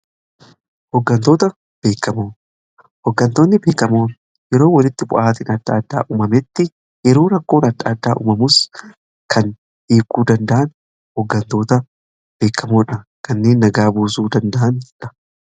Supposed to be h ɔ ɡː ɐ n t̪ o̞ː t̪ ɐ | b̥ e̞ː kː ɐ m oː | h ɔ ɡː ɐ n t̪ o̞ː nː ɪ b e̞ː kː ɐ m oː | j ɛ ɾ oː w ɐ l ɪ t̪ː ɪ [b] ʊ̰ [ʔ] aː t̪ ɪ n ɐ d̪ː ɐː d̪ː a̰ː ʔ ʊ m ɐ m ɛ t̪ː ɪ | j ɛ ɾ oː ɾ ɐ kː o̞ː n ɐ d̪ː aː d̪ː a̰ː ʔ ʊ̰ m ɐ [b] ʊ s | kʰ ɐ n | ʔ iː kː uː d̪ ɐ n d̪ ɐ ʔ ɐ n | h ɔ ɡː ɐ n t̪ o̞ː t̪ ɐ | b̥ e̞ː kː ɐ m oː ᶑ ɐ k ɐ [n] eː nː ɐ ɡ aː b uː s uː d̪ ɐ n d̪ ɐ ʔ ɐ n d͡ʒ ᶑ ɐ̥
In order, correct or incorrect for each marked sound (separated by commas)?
correct, correct, incorrect, incorrect